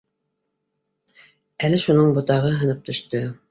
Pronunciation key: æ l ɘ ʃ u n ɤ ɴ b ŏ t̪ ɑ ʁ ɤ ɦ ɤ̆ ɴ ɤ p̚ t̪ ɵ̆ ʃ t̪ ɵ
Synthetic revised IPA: æ l ɘ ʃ u n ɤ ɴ b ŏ t̪ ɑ ʁ ɤ ɦ ɤ̆ n ɤ p̚ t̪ ɵ̆ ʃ t̪ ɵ